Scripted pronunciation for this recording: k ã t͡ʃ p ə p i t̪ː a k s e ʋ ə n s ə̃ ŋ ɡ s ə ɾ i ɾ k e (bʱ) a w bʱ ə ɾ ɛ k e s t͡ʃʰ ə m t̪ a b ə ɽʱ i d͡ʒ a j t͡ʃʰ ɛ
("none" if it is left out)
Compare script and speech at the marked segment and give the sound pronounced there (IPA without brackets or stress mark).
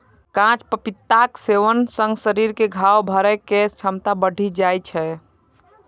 ɡʱ